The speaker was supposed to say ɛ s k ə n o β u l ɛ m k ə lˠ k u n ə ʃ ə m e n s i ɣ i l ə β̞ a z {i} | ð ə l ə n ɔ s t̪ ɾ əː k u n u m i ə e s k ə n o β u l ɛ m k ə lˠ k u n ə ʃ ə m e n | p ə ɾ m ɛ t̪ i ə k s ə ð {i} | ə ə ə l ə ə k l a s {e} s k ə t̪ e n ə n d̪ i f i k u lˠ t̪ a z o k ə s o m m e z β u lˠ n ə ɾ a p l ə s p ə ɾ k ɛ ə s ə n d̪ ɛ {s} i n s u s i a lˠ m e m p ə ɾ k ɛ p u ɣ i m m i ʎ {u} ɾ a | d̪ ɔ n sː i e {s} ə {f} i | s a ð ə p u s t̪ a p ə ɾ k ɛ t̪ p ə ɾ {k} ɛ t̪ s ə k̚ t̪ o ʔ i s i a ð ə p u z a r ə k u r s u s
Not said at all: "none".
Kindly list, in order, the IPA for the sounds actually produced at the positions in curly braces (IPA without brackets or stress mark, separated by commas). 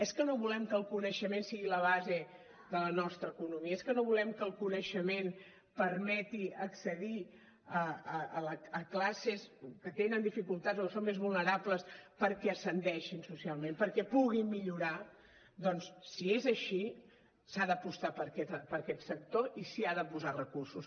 e, i, e, ʃ, u, z, ʃ, k